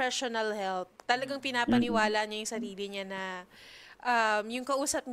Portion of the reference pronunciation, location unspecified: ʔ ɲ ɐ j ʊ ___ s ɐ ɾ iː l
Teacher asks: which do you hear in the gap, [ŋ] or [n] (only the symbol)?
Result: ŋ